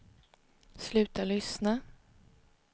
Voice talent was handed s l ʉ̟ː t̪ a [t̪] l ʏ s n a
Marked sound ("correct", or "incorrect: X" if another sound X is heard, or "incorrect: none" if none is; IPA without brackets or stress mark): incorrect: none